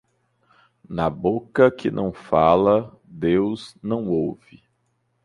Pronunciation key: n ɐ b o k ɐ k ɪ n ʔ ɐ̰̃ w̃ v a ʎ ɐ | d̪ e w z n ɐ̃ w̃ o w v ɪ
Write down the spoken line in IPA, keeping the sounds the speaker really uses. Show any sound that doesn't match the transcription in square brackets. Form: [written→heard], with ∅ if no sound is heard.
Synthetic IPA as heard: n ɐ b o k ɐ k ɪ n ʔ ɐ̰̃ w̃ [v→f] a [ʎ→l] ɐ | d̪ e w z n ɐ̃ w̃ o w v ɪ

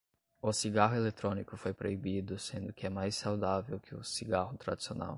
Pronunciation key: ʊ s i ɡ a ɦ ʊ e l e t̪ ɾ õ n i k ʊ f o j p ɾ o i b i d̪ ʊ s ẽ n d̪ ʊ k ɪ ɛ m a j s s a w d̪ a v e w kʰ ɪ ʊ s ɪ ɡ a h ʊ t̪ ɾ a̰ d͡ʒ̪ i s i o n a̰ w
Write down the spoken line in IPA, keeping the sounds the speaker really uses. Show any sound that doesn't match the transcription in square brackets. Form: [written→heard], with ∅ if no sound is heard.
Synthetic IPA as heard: ʊ s i ɡ a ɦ ʊ e l e t̪ ɾ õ n i k ʊ f o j p ɾ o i b i d̪ ʊ s ẽ n d̪ ʊ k ɪ ɛ m a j s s a w d̪ a v e w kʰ ɪ ʊ s [ɪ→i] ɡ a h ʊ t̪ ɾ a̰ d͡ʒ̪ i s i o n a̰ w

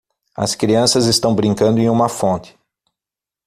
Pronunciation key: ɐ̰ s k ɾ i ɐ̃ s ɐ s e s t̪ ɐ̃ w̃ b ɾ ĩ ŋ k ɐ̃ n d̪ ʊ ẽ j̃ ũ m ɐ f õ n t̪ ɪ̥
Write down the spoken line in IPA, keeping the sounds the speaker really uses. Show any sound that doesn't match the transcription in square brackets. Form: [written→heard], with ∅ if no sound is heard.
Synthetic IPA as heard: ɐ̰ s k ɾ i ɐ̃ s ɐ [s→z] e s t̪ ɐ̃ w̃ b ɾ ĩ ŋ k ɐ̃ n d̪ ʊ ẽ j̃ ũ m ɐ f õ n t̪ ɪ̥

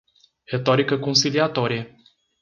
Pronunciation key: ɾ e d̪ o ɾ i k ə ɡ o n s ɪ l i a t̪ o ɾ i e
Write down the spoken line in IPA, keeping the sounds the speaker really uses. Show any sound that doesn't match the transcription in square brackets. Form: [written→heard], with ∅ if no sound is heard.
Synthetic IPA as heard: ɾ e [d̪→t̪] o ɾ i k ə [ɡ→k] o n s [ɪ→i] l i a t̪ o ɾ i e

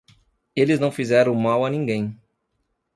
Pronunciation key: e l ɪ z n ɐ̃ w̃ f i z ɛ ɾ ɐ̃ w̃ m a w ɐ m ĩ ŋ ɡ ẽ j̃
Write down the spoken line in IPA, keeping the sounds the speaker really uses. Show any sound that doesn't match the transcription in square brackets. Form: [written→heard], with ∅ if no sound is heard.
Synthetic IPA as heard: e l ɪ z n ɐ̃ w̃ f i z ɛ ɾ ɐ̃ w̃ m a w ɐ [m→n] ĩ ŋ ɡ ẽ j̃

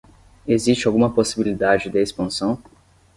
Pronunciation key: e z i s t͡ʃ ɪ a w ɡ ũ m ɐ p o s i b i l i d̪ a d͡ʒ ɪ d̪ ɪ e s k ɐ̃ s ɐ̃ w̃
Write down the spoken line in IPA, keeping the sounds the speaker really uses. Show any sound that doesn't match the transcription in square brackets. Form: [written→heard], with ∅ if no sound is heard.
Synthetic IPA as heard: e z i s t͡ʃ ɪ a w ɡ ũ m ɐ p o s i b i l i d̪ a d͡ʒ ɪ d̪ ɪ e s [k→p] ɐ̃ s ɐ̃ w̃

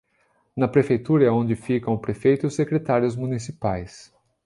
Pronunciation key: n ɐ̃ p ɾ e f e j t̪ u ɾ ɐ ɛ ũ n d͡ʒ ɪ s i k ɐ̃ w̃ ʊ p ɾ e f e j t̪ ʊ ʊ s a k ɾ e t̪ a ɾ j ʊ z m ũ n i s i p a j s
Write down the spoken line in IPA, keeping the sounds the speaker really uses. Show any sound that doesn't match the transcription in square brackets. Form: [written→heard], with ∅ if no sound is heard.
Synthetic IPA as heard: n [ɐ̃→ɐ] p ɾ e f e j t̪ u ɾ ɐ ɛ [ũ→õ] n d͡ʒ ɪ [s→f] i k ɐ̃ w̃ ʊ p ɾ e f e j t̪ ʊ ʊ s [a→e] k ɾ e t̪ a ɾ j ʊ z m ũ n i s i p a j s

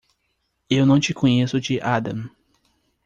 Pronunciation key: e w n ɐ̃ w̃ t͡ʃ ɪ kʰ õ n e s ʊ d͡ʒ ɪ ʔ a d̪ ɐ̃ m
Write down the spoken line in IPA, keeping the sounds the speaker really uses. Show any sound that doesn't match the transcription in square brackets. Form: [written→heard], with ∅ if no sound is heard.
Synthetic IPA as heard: e w n ɐ̃ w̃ t͡ʃ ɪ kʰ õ [n→ɲ] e s ʊ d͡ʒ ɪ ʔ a d̪ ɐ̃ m

